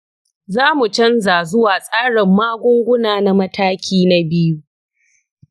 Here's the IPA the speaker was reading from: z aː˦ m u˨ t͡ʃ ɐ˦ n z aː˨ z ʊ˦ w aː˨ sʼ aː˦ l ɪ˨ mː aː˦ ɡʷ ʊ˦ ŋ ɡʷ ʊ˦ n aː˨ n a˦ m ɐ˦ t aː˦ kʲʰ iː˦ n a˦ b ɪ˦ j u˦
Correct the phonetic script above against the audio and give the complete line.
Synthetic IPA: z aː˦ m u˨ t͡ʃ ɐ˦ n z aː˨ z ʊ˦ w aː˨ sʼ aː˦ ɽ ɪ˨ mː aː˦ ɡʷ ʊ˦ ŋ ɡʷ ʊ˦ n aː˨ n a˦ m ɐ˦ t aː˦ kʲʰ iː˦ n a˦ b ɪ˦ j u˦

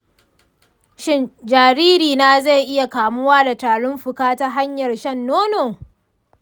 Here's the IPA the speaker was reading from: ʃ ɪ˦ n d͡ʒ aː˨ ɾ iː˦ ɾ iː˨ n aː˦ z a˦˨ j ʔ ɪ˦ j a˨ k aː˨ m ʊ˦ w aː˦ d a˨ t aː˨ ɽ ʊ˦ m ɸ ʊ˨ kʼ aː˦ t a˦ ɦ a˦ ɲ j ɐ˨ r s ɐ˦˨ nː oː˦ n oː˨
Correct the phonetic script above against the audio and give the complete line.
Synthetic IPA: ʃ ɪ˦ n d͡ʒ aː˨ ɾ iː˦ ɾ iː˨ n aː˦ z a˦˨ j ʔ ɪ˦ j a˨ k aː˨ m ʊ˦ w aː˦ d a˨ t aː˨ ɽ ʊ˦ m ɸ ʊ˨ k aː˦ t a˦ ɦ a˦ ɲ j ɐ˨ r ʃ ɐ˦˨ nː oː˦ n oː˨

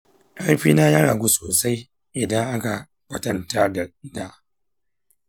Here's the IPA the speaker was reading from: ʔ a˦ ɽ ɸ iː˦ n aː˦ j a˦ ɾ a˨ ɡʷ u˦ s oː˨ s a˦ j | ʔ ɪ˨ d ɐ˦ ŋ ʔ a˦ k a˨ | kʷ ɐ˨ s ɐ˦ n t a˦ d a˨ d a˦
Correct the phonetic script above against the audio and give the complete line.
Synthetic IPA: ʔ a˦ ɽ ɸ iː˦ n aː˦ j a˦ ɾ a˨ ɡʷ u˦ s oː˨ s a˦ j | ʔ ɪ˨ d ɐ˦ ŋ ʔ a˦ k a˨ | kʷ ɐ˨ t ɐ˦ n t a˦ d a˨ d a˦

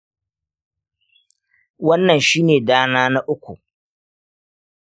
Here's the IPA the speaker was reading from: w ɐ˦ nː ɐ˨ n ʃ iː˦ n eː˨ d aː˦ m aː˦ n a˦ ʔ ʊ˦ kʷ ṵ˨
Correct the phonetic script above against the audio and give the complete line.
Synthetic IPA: w ɐ˦ nː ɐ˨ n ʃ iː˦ n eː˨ d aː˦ n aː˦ n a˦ ʔ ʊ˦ kʷ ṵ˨

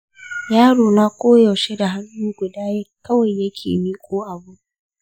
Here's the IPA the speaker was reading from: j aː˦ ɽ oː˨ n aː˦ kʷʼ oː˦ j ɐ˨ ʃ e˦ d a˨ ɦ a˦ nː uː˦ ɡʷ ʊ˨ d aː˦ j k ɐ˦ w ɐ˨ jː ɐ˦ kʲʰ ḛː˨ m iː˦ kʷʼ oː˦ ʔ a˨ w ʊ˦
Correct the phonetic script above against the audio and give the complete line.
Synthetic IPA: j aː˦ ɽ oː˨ n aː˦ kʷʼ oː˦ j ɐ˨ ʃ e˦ d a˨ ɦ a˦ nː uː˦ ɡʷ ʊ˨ d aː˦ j k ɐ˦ w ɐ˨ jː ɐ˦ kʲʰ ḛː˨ m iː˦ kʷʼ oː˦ ʔ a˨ b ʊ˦

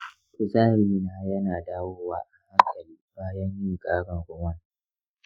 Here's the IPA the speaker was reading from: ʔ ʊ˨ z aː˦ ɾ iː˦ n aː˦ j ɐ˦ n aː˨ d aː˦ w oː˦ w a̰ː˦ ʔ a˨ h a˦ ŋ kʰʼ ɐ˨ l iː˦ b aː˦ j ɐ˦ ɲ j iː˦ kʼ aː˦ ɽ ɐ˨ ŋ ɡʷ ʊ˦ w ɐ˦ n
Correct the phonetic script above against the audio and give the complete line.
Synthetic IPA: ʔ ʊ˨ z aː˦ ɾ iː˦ n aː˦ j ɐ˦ n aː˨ d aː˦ w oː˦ w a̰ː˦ ʔ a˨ h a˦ ŋ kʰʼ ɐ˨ l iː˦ b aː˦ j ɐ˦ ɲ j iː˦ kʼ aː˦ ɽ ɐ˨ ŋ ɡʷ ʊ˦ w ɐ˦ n

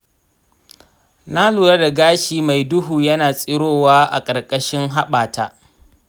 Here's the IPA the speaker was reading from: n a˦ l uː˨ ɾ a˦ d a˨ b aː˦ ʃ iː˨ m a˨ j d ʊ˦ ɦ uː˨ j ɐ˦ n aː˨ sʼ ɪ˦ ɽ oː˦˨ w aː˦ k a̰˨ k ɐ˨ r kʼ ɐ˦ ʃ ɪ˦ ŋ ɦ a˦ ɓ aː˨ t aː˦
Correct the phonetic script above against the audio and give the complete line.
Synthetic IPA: n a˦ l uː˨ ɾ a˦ d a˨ ɡ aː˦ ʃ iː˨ m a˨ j d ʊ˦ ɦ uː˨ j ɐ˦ n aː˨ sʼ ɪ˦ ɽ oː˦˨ w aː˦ ʔ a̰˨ kʼ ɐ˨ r kʼ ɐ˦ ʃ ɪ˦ ŋ ɦ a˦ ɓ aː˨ t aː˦

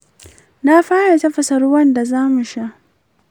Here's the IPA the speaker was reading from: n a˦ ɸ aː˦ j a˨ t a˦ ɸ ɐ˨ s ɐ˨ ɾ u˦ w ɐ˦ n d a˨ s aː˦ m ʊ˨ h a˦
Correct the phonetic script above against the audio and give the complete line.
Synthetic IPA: n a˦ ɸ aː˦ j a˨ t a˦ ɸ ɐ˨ s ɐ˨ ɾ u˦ w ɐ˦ n d a˨ z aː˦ m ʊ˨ ʃ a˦

